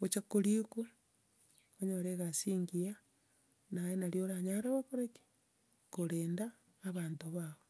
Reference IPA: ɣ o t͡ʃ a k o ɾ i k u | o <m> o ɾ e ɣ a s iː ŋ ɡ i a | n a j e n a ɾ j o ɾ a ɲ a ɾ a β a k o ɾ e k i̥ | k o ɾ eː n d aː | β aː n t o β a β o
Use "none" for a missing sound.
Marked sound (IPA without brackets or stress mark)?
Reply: ɲ